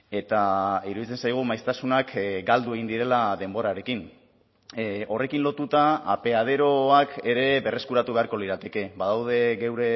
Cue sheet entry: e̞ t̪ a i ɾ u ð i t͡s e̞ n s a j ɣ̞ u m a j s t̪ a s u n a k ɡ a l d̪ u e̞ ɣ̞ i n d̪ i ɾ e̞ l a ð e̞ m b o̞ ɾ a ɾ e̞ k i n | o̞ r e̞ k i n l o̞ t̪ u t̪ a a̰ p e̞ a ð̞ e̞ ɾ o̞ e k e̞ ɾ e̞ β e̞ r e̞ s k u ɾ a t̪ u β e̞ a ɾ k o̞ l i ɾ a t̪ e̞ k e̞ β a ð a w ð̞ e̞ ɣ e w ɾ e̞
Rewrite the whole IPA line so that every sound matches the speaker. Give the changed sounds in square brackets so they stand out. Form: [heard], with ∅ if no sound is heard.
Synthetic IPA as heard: e̞ t̪ a i ɾ u ð i t͡s e̞ n s a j ɣ̞ u m a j s t̪ a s u n a k ɡ a l d̪ u e̞ ɣ̞ i n d̪ i ɾ e̞ l a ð e̞ m b o̞ ɾ a ɾ e̞ k i n | o̞ r e̞ k i n l o̞ t̪ u t̪ a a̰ p e̞ a ð̞ e̞ ɾ o̞ [a] k e̞ ɾ e̞ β e̞ r e̞ s k u ɾ a t̪ u β e̞ a ɾ k o̞ l i ɾ a t̪ e̞ k e̞ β a ð a w ð̞ e̞ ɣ e w ɾ e̞

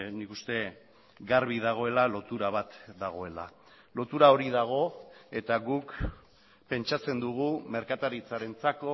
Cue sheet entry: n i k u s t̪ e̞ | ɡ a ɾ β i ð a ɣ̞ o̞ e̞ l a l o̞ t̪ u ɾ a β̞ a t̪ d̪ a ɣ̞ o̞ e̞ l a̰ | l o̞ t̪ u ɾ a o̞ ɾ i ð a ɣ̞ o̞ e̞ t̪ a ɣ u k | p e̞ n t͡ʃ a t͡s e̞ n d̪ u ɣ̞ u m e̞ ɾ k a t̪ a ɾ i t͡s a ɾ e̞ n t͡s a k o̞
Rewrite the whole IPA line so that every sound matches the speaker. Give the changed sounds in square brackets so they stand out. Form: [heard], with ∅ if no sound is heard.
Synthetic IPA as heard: n i k u s t̪ e̞ | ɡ a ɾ β i ð a ɣ̞ o̞ e̞ l a l o̞ t̪ u ɾ a β̞ a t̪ d̪ a ɣ̞ o̞ e̞ l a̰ | l o̞ t̪ u ɾ a o̞ ɾ i ð a ɣ̞ o̞ e̞ t̪ a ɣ u k | p e̞ n t͡ʃ a t͡s e̞ n d̪ u ɣ̞ u m e̞ ɾ k a t̪ a ɾ i t͡s a ɾ e̞ n t͡s a k o̞

